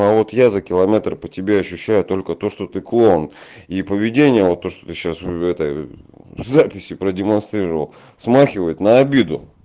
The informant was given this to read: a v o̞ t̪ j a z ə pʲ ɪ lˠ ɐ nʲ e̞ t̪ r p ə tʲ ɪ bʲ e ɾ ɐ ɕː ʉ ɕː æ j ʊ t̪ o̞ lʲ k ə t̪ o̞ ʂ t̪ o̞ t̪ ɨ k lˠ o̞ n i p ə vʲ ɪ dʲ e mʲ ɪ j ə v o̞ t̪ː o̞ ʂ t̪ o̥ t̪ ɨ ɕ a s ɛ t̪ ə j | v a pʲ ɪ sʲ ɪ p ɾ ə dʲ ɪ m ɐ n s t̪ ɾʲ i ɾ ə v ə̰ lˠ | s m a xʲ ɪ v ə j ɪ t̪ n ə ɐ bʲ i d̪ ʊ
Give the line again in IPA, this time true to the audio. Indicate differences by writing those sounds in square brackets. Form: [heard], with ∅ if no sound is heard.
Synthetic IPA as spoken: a v o̞ t̪ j a z ə [kʲ] ɪ lˠ ɐ [mʲ] e̞ t̪ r p ə tʲ ɪ bʲ e [∅] ɐ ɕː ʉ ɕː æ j ʊ t̪ o̞ lʲ k ə t̪ o̞ ʂ t̪ o̞ t̪ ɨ k lˠ o̞ n i p ə vʲ ɪ dʲ e [nʲ] ɪ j ə v o̞ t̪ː o̞ ʂ t̪ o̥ t̪ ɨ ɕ a s ɛ t̪ ə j | [z] a pʲ ɪ sʲ ɪ p ɾ ə dʲ ɪ m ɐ n s t̪ ɾʲ i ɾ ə v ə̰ lˠ | s m a xʲ ɪ v ə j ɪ t̪ n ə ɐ bʲ i d̪ ʊ